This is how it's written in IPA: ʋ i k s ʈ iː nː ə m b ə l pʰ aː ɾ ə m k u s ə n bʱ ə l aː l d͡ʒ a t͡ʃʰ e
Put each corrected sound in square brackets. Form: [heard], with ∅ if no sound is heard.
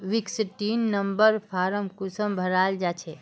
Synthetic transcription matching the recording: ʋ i k s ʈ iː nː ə m b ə [ɾ] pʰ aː ɾ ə m k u s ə [m] bʱ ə [ɾ] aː l d͡ʒ a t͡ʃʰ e